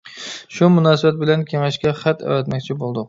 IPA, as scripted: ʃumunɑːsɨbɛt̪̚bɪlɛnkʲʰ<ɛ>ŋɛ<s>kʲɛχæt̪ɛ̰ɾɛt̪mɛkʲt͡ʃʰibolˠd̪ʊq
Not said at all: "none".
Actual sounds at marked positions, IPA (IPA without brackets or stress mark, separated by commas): e, ʃ